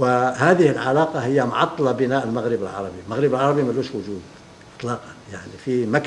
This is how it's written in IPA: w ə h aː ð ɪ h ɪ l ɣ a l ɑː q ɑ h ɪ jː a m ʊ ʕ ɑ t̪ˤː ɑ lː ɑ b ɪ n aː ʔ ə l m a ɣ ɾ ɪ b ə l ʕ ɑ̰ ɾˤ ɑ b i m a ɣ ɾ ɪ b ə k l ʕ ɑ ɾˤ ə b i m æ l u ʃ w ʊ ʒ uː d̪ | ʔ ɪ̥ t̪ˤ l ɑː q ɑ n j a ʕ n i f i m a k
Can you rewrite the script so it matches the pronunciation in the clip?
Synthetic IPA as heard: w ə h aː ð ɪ h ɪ l ʕ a l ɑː q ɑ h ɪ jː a m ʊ ʕ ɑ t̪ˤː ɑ l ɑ b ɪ n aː ʔ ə l m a ɣ ɾ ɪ b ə l ʕ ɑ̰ ɾˤ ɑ b i m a ɣ ɾ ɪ b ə l ʕ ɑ ɾˤ ɑ b i m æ l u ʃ w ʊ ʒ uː d̪ | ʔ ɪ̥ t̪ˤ l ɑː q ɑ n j a ʕ n i f i m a k

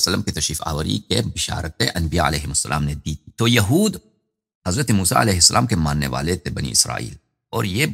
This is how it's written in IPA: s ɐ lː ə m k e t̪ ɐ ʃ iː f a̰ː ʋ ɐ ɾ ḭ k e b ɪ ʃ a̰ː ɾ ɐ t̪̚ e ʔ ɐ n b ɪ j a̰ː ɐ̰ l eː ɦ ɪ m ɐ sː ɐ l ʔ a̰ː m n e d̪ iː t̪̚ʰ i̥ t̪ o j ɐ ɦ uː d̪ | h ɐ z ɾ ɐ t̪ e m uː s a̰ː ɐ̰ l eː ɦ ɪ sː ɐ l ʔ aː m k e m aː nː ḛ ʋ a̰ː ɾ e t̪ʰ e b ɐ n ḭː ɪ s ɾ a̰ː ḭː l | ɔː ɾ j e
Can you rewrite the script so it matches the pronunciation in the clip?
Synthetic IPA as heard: s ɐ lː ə m k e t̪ ɐ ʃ iː f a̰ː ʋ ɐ ɾ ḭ k e b ɪ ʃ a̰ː ɾ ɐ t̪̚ e ʔ ɐ n b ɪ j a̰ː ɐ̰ l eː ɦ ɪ m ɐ sː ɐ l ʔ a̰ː m n e d̪ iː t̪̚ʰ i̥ t̪ o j ɐ ɦ uː d̪ | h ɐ z ɾ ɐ t̪ e m uː s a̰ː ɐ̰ l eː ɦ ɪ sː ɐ l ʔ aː m k e m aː nː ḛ ʋ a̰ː l e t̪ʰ e b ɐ n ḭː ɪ s ɾ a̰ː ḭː l | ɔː ɾ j e

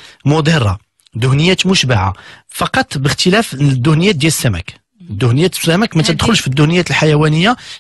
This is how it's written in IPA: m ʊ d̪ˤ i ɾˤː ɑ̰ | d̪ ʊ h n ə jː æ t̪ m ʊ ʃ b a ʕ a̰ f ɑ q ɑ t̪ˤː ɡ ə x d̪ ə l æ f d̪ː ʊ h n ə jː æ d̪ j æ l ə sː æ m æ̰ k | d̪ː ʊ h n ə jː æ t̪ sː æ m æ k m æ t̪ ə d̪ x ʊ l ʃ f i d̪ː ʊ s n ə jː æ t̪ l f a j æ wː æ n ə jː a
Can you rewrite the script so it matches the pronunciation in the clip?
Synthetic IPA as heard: m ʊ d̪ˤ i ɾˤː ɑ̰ | d̪ ʊ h n ə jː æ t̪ m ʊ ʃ b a ʕ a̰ f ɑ q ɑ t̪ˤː b ə x t̪ ə l æ f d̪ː ʊ h n ə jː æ d̪ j æ l ə sː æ m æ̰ k | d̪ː ʊ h n ə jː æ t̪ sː æ m æ k m æ t̪ ə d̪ x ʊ l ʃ f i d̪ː ʊ h n ə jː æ t̪ l ħ a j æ w æ n ə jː a

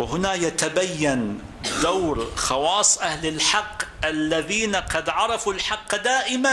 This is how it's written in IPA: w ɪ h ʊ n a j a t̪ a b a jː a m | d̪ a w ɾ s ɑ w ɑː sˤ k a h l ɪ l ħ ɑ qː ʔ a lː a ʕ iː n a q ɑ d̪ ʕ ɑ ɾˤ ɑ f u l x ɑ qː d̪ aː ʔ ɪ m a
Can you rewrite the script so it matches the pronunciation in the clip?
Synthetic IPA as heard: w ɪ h ʊ n a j a t̪ a b a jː a n | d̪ a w ɾ x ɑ w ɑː sˤ ʔ a h l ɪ l ħ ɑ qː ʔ a lː a ð iː n a q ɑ d̪ ʕ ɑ ɾˤ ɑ f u l ħ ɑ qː d̪ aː ʔ ɪ m a

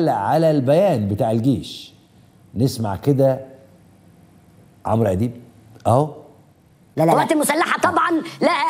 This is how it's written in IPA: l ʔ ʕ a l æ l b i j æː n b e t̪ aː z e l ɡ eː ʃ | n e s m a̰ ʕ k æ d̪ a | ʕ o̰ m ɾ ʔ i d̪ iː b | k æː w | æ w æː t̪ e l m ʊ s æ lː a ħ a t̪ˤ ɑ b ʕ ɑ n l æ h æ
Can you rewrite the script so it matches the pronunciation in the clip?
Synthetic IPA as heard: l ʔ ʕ a l æ l b æ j æː n b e t̪ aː ʕ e l ɡ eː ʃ | n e s m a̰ ʕ k e d̪ æ | ʕ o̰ m ɾ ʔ æ d̪ iː b | ʔ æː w | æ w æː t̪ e l m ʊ s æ lː a ħ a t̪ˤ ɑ b ʕ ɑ n l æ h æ

